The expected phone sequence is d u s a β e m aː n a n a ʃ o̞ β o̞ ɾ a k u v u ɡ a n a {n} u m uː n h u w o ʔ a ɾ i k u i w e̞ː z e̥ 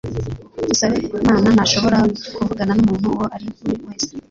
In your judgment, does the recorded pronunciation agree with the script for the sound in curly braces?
yes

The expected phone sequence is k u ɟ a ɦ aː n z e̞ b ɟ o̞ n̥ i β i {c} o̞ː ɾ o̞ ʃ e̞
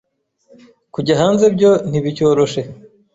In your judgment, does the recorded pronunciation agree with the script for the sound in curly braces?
yes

